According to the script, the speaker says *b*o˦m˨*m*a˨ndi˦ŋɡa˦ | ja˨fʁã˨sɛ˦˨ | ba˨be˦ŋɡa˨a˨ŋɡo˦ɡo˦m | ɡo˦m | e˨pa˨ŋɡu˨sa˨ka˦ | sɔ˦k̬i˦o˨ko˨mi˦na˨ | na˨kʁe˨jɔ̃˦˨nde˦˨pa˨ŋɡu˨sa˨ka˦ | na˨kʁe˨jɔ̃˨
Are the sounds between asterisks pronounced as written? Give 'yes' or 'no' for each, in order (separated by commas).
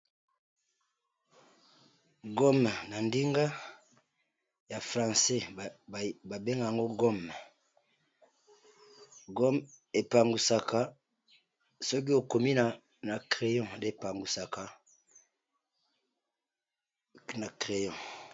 no, no